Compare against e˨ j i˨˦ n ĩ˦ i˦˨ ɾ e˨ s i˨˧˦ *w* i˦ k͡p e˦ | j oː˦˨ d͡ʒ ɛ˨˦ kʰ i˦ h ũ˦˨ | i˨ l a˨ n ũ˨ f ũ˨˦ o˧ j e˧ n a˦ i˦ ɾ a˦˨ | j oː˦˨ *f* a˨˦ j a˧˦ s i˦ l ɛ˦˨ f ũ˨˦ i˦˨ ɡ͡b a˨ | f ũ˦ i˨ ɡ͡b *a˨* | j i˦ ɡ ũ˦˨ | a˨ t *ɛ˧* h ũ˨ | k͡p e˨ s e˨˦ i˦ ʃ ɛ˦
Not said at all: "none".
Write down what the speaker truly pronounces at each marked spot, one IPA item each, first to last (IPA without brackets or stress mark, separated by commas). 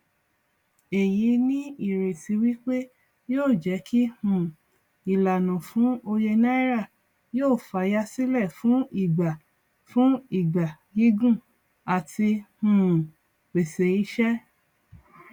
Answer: w, f, a˨, i˧